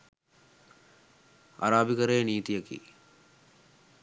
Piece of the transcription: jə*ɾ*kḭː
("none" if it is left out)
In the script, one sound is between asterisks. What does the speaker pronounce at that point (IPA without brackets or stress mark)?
none